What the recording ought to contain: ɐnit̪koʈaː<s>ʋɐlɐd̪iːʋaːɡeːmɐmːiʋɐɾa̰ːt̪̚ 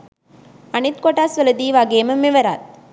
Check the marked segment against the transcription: correct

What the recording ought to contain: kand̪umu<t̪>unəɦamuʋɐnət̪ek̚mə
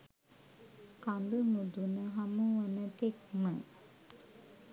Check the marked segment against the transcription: incorrect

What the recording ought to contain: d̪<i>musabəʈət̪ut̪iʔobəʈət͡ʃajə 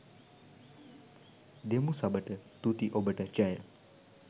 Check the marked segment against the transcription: incorrect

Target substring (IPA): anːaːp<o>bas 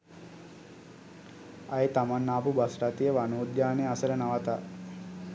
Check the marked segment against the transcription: incorrect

